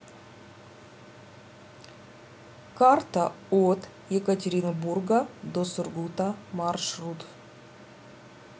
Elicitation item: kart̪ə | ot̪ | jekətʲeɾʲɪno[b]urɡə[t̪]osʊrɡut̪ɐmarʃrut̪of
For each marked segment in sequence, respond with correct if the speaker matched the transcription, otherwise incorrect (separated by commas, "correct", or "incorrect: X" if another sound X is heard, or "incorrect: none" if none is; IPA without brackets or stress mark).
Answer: correct, incorrect: d̪